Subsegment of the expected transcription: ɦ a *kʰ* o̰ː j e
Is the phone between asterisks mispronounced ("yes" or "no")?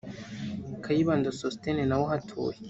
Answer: yes